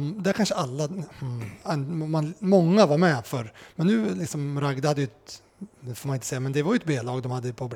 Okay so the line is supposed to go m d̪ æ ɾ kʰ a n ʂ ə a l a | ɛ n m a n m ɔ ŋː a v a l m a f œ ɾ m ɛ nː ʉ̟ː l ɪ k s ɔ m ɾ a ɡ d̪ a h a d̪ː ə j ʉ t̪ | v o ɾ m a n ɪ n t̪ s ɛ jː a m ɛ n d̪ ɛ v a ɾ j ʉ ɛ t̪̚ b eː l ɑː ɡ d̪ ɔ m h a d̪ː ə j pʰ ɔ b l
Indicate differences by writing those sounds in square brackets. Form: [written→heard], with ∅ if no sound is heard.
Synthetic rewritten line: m d̪ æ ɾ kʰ a n ʂ ə a [l→lː] a | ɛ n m a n m ɔ ŋː a v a [l→ɾ] m [a→ɛ] f œ ɾ m ɛ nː ʉ̟ː l ɪ k s ɔ m ɾ a ɡ d̪ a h a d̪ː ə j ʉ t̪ | [v→f] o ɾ m a n ɪ n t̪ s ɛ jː a m ɛ n d̪ ɛ v a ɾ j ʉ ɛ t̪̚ b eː l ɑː ɡ d̪ ɔ m h a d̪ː ə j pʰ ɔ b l